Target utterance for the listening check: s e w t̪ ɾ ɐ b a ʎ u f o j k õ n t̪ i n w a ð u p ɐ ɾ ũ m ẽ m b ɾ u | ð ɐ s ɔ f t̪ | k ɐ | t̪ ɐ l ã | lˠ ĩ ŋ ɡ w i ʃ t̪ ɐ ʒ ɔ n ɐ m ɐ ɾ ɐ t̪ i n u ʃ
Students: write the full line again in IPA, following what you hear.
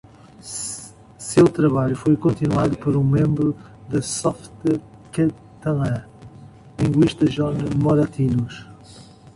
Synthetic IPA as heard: s e w t̪ ɾ ɐ β a ʎ u f o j k õ n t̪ i n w a ð u p ɐ ɾ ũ m ẽ m b ɾ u | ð ɐ s ɔ f t̪ | k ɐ | t̪ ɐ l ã | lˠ ĩ ŋ ɡ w i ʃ t̪ ɐ ʒ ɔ n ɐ m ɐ ɾ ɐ t̪ i n u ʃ